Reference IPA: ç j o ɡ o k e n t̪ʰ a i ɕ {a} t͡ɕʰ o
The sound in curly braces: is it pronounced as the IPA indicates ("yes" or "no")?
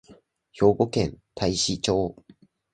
no